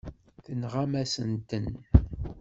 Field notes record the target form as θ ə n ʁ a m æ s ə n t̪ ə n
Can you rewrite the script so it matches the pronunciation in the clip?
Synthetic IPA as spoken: θ ə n ʁ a m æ s ə n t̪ ə n